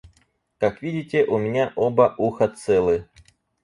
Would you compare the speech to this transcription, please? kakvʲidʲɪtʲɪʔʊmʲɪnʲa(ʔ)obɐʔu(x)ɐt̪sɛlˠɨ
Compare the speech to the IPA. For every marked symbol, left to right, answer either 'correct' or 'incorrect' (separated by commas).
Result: correct, correct